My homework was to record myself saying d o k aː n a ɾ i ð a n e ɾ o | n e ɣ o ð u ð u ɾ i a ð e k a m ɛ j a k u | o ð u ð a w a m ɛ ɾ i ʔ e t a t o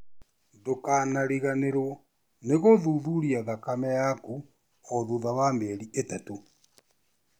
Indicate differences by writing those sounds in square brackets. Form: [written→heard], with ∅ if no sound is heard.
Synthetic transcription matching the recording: d o k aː n a ɾ i [ð→ɣ] a n e ɾ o | n e ɣ o ð u ð u ɾ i a ð [e→a] k a m ɛ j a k u | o ð u ð a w a m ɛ ɾ i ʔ e t a t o